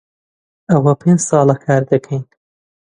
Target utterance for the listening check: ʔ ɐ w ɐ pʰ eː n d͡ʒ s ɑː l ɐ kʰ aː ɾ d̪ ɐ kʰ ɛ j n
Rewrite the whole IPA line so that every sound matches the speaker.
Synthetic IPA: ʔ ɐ w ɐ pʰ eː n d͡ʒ s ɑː l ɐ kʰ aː ɾ d̪ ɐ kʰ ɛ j n